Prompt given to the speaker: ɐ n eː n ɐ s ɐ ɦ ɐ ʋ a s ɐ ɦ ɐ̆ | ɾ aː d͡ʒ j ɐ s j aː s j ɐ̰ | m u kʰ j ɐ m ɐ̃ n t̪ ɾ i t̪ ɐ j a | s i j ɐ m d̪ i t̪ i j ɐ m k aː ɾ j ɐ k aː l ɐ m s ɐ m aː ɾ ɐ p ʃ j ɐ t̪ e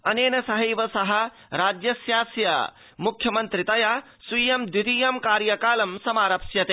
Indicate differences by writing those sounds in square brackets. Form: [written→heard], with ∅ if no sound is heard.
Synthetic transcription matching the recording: ɐ n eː n ɐ s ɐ ɦ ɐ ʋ [a→ɐ] s ɐ ɦ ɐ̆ | ɾ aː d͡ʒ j ɐ s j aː s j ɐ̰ | m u kʰ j ɐ m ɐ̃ n t̪ ɾ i t̪ ɐ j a | s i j ɐ m d̪ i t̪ i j ɐ m k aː ɾ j ɐ k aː l ɐ m s ɐ m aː ɾ ɐ p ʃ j ɐ t̪ e